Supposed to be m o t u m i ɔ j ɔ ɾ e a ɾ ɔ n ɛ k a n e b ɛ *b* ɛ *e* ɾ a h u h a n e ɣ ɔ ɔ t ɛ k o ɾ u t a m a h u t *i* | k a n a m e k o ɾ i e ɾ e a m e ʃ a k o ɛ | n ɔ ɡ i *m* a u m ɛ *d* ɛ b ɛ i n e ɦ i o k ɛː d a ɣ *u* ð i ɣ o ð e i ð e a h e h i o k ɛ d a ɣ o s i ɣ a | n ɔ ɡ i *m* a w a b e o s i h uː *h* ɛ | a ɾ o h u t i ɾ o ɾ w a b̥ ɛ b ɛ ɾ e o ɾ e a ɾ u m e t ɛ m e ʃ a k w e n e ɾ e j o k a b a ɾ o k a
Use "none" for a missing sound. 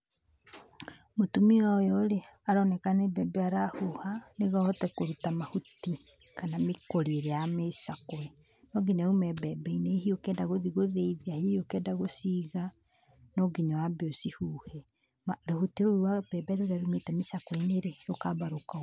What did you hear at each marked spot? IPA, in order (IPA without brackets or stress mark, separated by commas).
b, a, i, ɲ, b, o, ɲ, h